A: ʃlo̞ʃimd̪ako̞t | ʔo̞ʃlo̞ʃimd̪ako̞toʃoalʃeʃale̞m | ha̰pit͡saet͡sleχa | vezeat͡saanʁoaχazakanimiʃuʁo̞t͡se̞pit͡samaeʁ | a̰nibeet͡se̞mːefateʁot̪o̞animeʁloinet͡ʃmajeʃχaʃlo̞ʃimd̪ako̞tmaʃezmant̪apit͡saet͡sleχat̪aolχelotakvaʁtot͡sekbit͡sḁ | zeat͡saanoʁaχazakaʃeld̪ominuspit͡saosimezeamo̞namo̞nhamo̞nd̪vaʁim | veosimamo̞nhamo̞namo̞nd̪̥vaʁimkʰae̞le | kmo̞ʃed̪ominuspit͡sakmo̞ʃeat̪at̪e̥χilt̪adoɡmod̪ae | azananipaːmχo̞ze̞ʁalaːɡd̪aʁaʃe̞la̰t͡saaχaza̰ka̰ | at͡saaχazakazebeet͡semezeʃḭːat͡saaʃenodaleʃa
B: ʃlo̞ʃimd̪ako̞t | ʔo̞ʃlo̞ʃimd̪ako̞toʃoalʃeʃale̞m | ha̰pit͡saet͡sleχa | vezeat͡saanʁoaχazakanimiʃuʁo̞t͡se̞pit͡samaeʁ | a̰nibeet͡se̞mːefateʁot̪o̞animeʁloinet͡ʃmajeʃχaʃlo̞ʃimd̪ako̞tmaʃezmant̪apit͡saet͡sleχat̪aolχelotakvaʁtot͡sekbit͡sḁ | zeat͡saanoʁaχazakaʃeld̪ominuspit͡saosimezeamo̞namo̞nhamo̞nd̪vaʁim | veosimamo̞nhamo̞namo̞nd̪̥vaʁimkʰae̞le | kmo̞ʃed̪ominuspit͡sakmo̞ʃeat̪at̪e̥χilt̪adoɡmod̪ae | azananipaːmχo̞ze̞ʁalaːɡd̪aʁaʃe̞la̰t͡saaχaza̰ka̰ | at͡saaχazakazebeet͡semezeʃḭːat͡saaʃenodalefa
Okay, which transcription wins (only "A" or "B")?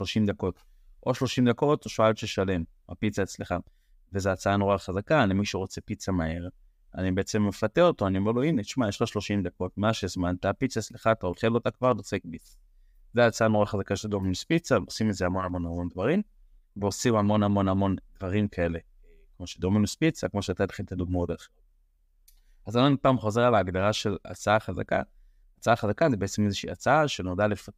B